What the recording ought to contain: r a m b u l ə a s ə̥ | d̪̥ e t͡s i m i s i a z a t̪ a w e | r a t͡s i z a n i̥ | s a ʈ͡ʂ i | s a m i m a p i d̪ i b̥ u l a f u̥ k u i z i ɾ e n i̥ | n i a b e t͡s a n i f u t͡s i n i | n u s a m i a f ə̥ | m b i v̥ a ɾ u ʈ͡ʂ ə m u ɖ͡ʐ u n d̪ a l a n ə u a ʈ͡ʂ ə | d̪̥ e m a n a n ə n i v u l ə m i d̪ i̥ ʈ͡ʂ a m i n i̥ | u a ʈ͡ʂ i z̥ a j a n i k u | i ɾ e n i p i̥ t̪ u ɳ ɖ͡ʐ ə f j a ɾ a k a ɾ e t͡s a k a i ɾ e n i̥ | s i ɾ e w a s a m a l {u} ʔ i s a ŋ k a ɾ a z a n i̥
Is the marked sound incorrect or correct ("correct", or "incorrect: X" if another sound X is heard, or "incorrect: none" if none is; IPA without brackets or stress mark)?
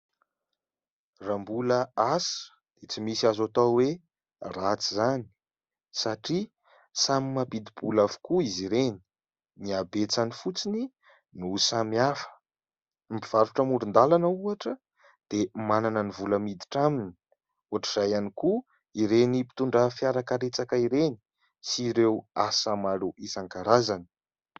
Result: correct